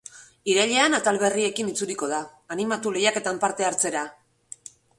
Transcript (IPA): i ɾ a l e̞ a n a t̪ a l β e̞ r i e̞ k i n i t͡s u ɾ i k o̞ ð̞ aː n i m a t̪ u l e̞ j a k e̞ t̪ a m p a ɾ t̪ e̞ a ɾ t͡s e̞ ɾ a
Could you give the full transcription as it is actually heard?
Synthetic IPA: i ɾ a ʎ e̞ a n a t̪ a l β e̞ r i e̞ k i n i t͡s u ɾ i k o̞ ð̞ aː n i m a t̪ u l e̞ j a k e̞ t̪ a m p a ɾ t̪ e̞ a ɾ t͡s e̞ ɾ a

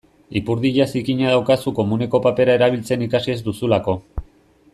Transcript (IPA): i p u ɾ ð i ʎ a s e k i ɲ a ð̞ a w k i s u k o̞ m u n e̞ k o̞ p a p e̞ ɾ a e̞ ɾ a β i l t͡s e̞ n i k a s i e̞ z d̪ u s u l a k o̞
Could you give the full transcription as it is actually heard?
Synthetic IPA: i p u ɾ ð i ʎ a s i k i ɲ a ð̞ a w k a s u k o̞ m u n e̞ k o̞ p a p e̞ ɾ a e̞ ɾ a β i l t͡s e̞ n i k a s i e̞ z d̪ u s u l a k o̞

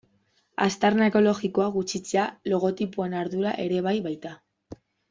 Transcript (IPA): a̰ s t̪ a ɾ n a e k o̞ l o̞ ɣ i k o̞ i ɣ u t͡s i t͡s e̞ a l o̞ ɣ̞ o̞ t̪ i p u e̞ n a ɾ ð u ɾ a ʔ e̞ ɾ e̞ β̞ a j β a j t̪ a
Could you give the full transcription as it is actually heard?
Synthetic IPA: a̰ s t̪ a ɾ n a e k o̞ l o̞ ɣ i k o̞ a ɣ u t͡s i t͡s e̞ a l o̞ ɣ̞ o̞ t̪ i p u e̞ n a ɾ ð u ɾ a ʔ e̞ ɾ e̞ β̞ a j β a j t̪ a

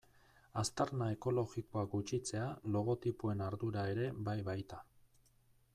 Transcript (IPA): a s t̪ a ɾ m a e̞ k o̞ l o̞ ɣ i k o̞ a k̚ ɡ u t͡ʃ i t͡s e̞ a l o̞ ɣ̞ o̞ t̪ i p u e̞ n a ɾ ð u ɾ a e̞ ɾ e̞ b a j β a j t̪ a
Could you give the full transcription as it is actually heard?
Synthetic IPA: a s t̪ a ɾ n a e̞ k o̞ l o̞ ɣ i k o̞ a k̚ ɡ u t͡ʃ i t͡s e̞ a l o̞ ɣ̞ o̞ t̪ i p u e̞ n a ɾ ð u ɾ a e̞ ɾ e̞ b a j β a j t̪ a

